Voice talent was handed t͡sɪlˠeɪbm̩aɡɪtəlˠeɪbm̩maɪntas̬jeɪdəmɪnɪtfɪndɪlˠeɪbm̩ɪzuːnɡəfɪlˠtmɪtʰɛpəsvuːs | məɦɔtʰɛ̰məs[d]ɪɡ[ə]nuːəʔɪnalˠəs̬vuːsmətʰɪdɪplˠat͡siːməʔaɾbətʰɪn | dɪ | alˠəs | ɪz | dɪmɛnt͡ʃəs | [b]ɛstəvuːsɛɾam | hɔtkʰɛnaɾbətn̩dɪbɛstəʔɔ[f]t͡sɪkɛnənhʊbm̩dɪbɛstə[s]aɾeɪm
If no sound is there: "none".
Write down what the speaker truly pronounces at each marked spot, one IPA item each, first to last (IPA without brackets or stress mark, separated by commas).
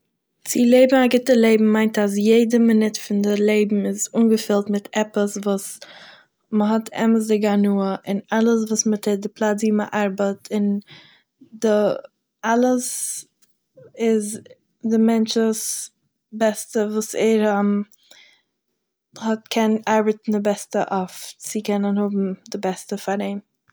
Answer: d, a, b, f, f